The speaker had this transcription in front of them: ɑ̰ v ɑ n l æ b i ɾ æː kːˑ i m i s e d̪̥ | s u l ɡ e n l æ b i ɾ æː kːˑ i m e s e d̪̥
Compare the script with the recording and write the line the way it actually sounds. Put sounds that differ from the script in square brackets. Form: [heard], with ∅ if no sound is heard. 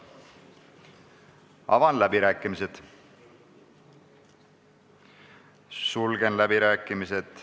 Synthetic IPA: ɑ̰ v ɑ n l æ b i ɾ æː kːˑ i m i s e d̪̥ | s u l ɡ e n l æ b i ɾ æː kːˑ i m [i] s e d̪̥